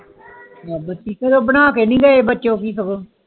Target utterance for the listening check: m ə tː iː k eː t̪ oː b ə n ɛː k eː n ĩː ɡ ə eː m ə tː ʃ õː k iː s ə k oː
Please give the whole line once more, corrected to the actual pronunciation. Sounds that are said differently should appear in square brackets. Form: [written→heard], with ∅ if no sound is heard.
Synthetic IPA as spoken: [m→b] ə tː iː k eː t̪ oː b ə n [ɛː→aː] k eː n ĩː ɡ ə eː [m→b] ə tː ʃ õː k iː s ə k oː